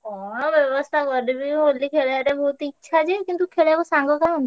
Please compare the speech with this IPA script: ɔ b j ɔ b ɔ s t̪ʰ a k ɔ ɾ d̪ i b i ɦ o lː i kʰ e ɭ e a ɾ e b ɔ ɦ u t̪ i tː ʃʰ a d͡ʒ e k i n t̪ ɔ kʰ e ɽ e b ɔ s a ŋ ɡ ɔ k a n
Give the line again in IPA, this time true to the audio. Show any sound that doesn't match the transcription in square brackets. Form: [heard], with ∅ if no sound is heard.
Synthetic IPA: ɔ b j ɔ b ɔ s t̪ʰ a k ɔ ɾ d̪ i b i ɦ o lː i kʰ e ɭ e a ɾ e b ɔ ɦ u t̪ i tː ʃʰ a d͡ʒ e k i n t̪ [u] kʰ e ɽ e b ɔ s a ŋ ɡ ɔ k a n